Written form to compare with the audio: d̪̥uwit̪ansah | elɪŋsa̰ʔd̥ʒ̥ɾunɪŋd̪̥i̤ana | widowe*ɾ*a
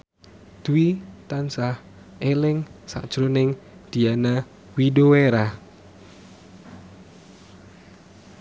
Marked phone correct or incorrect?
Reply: correct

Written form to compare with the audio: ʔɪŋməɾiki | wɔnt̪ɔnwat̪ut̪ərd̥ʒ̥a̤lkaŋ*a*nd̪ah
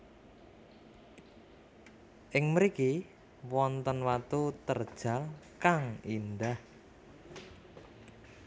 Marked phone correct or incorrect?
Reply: incorrect: i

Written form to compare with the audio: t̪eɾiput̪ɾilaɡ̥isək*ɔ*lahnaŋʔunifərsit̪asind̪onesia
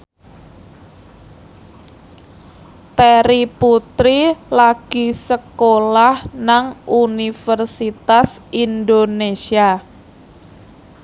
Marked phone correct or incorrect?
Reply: incorrect: o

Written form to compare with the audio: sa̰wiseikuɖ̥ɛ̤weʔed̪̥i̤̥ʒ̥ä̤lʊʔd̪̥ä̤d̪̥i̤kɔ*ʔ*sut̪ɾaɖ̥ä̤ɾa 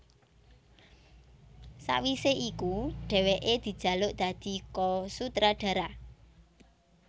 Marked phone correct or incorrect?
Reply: incorrect: none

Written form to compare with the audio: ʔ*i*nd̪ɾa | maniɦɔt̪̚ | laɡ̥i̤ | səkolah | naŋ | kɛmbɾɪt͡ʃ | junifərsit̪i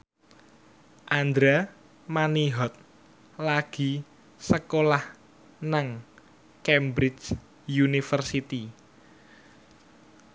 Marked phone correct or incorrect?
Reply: incorrect: a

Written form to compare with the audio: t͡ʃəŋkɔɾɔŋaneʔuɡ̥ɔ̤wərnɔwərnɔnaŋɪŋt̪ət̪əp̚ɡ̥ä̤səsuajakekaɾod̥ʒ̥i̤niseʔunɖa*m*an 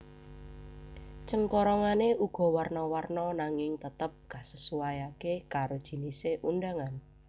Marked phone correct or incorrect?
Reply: incorrect: ŋ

